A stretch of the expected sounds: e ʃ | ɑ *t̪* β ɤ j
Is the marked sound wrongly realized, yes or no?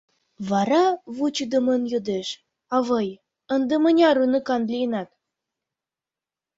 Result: yes